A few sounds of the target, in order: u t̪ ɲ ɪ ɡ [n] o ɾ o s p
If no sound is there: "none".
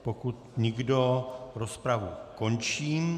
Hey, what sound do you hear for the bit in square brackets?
d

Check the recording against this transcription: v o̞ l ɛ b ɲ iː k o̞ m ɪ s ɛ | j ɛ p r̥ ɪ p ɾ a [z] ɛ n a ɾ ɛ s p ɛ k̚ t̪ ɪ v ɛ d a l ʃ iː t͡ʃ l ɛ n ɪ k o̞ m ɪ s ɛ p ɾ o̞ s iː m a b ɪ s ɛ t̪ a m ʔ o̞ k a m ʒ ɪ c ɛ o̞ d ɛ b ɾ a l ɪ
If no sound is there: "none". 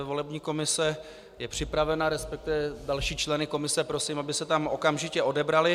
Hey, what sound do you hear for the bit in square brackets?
v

